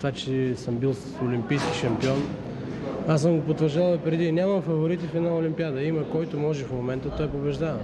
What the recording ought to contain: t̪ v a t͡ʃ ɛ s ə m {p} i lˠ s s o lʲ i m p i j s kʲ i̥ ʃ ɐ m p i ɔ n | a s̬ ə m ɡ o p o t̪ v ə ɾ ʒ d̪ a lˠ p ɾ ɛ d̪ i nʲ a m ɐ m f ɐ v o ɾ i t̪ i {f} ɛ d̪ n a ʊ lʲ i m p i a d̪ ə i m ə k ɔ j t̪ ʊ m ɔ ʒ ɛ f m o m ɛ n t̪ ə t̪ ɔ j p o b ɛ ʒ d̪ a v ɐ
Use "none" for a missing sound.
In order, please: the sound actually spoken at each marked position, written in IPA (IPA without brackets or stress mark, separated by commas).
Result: b, f